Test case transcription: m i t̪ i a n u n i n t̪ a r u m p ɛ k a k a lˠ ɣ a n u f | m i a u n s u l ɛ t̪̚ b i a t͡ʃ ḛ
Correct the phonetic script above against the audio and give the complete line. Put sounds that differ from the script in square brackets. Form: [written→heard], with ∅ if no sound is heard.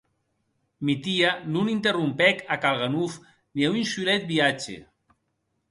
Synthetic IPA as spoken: m i t̪ i a n u n i n t̪ [a→e] r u m p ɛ k a k a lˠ ɣ a n u f | [m→n] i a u n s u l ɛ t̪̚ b i a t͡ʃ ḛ